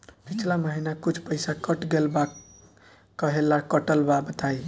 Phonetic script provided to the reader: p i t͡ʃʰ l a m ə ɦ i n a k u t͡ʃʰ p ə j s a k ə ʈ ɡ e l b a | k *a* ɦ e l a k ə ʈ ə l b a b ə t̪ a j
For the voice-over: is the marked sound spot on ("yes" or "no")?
no